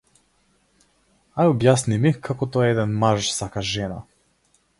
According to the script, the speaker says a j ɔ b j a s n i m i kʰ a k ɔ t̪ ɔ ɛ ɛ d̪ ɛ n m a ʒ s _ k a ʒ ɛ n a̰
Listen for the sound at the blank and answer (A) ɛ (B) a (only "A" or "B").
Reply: B